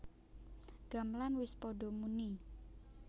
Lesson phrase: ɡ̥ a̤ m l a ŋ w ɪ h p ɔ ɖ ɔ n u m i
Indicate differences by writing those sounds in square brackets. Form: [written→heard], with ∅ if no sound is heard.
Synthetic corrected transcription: ɡ̥ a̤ m l a [ŋ→n] w ɪ [h→s] p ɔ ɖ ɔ [n→m] u [m→n] i